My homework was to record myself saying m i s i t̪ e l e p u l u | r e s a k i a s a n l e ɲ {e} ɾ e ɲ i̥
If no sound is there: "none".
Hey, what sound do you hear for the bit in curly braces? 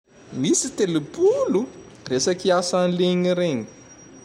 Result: i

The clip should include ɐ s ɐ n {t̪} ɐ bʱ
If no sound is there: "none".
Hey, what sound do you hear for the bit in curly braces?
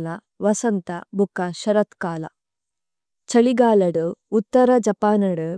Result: t̪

